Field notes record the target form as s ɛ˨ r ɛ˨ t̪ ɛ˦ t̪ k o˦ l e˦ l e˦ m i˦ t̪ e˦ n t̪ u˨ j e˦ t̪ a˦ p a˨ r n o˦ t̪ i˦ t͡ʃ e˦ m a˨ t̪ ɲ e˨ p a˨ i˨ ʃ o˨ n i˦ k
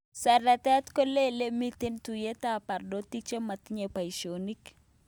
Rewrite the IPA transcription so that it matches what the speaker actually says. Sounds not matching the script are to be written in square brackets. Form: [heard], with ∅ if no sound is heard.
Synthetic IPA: s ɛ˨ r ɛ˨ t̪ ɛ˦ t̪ k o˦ l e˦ l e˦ m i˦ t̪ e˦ n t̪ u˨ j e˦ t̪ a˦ p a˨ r [d] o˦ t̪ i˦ t͡ʃ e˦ m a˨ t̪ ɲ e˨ p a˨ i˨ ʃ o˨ n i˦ k